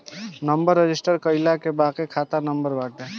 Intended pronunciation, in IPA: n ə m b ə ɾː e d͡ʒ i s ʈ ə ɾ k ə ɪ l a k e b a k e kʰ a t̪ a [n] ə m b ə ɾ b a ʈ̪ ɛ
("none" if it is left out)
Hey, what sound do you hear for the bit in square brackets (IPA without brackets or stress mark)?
n